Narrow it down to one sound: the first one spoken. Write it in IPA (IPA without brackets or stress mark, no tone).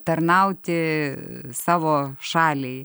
t̪